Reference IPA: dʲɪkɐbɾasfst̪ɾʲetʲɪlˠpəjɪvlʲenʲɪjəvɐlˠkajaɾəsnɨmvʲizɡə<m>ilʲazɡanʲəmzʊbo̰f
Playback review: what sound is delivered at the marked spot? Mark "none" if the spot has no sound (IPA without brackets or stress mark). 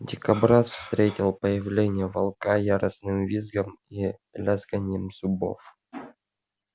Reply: m